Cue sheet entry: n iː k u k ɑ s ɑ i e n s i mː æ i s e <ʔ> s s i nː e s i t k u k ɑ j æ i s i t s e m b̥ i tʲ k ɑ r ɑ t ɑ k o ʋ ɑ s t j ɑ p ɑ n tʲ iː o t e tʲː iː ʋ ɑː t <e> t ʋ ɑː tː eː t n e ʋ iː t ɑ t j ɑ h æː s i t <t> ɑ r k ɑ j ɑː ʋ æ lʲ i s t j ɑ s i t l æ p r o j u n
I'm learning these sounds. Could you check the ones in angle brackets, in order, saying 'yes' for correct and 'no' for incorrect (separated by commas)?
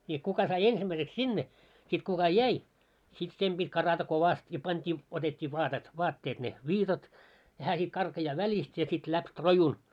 no, yes, no